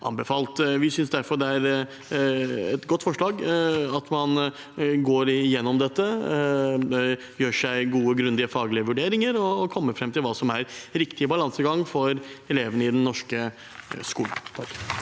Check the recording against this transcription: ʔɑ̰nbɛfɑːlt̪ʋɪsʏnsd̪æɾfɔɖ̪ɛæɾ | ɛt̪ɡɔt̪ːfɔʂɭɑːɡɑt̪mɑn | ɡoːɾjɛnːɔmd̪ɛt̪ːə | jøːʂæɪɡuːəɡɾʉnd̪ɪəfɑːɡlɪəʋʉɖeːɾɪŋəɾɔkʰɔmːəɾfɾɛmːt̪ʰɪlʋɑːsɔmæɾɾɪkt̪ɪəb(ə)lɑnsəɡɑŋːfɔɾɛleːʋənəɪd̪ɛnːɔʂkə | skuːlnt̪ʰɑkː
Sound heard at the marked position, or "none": ɑ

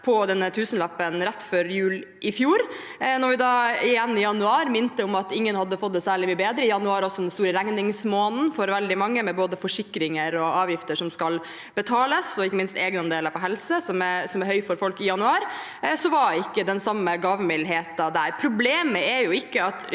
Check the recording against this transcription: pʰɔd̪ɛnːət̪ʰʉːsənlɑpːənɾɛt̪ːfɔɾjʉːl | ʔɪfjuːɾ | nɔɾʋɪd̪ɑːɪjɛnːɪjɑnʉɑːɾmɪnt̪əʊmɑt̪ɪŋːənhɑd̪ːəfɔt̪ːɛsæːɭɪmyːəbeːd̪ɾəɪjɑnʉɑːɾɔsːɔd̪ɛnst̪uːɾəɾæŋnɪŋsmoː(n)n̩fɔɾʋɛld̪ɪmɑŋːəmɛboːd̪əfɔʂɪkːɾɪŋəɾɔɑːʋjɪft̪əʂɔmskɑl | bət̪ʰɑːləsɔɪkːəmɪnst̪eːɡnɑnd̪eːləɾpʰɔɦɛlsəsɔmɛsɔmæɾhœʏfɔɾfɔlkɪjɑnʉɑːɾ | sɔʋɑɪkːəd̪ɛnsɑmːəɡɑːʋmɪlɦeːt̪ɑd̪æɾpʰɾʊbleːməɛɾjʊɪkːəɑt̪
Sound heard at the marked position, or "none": n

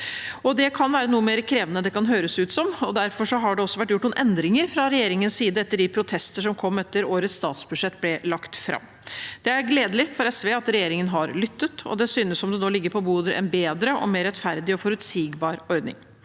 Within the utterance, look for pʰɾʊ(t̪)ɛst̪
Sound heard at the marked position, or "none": t̪ʰ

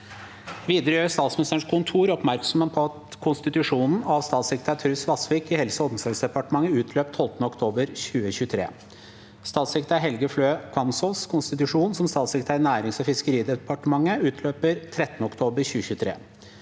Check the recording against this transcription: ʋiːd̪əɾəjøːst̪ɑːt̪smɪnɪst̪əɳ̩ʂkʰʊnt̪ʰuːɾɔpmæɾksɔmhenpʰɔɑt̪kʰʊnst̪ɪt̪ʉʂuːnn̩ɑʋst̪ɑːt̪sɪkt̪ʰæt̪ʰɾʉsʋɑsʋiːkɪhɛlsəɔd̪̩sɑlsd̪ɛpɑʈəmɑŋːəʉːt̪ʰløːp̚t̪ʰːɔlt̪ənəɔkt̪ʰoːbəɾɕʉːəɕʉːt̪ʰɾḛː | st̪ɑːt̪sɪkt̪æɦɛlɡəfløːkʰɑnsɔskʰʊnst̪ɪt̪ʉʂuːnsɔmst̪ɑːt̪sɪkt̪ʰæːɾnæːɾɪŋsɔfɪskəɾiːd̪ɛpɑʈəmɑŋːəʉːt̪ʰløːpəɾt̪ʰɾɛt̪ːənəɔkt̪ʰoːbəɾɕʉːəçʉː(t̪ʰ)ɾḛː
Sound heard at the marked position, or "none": t̪ʰ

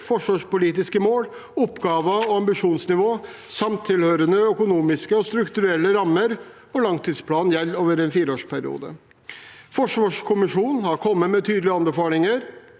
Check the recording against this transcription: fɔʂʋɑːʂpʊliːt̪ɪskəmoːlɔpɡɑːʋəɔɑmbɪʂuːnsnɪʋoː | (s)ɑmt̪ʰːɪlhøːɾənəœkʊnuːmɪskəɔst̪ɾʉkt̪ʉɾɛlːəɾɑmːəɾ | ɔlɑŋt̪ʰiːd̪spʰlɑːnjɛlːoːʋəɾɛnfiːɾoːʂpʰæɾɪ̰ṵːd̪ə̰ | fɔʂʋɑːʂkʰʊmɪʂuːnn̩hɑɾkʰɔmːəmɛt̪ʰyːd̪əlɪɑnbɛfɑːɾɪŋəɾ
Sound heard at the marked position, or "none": s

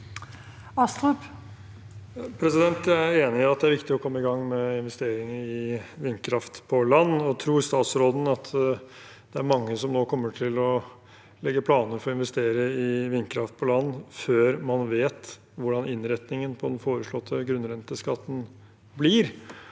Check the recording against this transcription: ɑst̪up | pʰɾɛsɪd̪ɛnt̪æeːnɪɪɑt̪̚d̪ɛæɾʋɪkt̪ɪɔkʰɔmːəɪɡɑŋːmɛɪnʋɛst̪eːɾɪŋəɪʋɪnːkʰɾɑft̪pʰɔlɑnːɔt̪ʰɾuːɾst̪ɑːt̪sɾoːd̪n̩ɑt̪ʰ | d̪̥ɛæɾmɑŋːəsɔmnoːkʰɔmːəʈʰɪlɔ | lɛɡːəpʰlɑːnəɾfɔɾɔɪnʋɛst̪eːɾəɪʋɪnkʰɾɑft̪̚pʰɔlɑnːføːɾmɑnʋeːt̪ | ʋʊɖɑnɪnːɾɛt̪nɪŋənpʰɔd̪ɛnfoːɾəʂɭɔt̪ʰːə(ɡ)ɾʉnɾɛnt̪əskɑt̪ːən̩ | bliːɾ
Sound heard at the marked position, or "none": ɡ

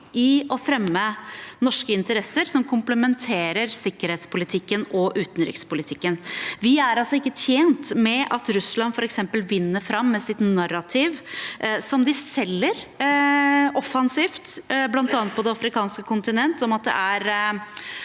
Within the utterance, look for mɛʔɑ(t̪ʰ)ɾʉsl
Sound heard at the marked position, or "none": t̪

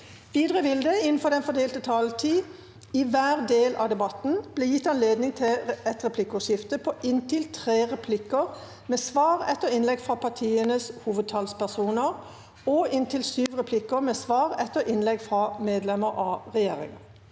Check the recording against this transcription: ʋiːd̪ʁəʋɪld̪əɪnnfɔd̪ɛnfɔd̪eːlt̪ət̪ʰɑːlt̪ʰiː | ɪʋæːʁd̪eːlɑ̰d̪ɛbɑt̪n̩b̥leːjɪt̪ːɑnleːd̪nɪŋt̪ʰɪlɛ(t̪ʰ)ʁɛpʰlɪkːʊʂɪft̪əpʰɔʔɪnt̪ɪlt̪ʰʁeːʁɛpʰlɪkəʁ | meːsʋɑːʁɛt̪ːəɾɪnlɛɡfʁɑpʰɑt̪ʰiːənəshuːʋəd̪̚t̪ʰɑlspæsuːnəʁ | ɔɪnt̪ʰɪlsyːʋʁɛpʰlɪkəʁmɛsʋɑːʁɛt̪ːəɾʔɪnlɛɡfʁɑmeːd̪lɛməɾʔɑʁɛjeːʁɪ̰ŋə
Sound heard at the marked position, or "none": t̪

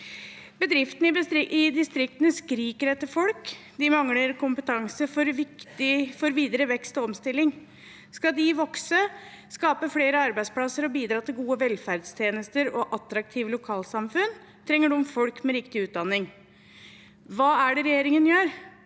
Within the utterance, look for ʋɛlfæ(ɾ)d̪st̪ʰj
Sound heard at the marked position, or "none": ɾ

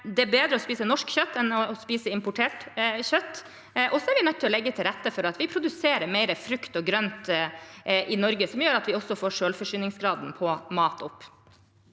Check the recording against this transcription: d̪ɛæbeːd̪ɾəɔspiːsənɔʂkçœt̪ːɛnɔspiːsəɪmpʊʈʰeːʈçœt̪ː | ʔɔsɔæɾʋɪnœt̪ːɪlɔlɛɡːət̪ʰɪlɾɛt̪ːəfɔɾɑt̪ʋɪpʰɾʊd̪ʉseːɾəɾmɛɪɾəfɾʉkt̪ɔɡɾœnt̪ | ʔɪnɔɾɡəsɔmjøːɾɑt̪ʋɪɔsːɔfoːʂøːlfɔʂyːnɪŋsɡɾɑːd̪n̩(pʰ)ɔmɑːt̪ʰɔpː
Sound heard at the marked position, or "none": pʰ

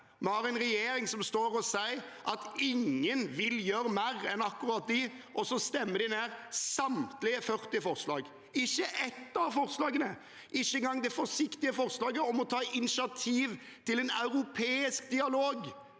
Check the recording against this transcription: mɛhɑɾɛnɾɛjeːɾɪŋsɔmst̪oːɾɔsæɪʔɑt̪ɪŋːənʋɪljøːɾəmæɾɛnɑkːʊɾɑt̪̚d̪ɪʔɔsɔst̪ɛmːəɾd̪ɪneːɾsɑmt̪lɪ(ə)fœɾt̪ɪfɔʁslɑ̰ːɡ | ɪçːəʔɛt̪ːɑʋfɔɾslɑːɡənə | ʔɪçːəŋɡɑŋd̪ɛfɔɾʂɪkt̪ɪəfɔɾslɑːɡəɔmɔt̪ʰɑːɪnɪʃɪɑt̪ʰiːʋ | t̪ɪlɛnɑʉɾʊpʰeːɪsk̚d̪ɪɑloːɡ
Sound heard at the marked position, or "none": ə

